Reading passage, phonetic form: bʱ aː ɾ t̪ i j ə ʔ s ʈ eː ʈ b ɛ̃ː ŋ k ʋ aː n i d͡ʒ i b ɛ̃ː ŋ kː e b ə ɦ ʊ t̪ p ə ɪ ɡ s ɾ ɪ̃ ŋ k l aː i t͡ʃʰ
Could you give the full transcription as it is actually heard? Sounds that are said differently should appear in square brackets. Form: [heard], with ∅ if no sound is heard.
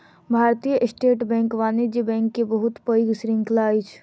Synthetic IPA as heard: bʱ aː ɾ t̪ i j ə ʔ s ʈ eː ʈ b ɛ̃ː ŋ k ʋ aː n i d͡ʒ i b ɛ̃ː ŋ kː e b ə ɦ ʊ t̪ p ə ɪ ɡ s ɾ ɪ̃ ŋ k l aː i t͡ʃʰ